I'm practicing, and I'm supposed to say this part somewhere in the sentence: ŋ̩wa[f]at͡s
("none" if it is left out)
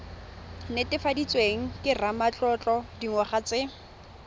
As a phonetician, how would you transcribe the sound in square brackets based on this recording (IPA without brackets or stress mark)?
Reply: χ